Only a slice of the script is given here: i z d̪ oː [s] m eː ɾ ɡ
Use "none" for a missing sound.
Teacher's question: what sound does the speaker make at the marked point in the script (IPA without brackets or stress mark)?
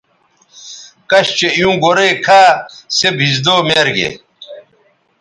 none